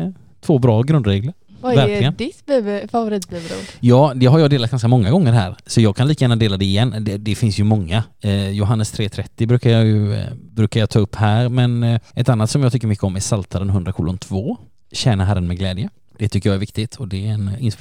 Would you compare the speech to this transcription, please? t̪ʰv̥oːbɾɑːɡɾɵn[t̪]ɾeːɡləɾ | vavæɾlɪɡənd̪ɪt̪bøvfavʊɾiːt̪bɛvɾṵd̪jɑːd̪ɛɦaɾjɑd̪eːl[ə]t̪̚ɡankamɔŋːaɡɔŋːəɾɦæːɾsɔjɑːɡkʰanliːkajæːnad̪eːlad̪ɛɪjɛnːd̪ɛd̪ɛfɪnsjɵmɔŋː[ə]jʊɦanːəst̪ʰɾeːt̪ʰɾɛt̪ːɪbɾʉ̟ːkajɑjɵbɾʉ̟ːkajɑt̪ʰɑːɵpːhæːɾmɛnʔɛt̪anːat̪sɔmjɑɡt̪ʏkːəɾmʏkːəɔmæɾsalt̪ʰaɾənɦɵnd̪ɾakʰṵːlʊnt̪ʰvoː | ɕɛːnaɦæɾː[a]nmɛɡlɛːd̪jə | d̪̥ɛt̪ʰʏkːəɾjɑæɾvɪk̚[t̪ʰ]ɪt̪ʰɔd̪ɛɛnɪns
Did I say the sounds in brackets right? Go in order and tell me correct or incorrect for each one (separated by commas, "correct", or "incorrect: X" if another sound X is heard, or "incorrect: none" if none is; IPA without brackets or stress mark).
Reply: incorrect: d̪, incorrect: a, incorrect: a, incorrect: ə, incorrect: t̪